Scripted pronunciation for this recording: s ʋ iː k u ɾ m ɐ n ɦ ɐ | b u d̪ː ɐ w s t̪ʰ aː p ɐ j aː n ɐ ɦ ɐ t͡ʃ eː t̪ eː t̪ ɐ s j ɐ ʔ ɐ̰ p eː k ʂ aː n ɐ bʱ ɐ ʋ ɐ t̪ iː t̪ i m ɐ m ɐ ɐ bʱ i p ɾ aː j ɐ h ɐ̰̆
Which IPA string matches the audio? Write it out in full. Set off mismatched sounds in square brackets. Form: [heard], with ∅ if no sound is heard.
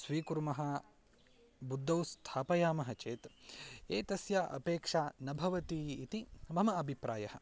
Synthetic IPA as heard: s ʋ iː k u ɾ m ɐ [∅] ɦ ɐ | b u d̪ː ɐ w s t̪ʰ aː p ɐ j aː [m] ɐ ɦ ɐ t͡ʃ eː t̪ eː t̪ ɐ s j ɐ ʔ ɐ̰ p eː k ʂ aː n ɐ bʱ ɐ ʋ ɐ t̪ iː t̪ i m ɐ m ɐ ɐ bʱ i p ɾ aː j ɐ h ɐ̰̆